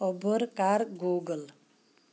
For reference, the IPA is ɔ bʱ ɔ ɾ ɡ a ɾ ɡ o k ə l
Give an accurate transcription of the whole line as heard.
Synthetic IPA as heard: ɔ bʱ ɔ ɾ k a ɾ ɡ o ɡ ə l